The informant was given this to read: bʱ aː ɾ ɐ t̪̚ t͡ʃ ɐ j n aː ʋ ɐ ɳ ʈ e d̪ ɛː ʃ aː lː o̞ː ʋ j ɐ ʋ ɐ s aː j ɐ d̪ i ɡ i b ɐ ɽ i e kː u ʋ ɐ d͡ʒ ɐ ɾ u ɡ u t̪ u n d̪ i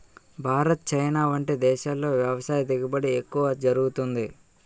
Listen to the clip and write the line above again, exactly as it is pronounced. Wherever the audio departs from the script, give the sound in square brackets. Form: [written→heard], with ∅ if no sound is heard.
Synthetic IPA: bʱ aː ɾ ɐ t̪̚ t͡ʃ ɐ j n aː ʋ ɐ ɳ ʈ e d̪ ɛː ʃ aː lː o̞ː ʋ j ɐ ʋ ɐ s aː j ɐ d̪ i ɡ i b ɐ ɽ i e kː u ʋ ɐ d͡ʒ ɐ ɾ u ɡ u t̪ u n d̪ i